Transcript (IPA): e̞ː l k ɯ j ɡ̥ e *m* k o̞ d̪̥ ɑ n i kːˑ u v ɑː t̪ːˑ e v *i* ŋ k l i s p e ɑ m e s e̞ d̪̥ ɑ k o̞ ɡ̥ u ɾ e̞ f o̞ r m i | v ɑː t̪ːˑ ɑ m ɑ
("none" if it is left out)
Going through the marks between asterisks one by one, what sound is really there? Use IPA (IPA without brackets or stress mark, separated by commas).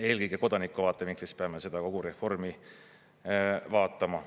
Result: none, i